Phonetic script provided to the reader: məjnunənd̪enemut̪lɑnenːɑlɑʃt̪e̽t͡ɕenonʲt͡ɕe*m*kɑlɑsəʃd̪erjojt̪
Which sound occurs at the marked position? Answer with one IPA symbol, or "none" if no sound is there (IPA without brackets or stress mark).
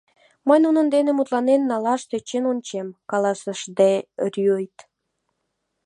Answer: m